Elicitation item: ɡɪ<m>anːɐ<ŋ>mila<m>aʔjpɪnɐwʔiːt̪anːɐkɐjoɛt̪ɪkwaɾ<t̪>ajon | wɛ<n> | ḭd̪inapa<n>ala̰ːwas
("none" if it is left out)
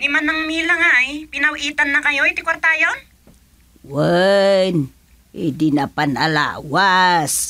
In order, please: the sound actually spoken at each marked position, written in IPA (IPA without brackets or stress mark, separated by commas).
m, ŋ, ŋ, t̪, n, n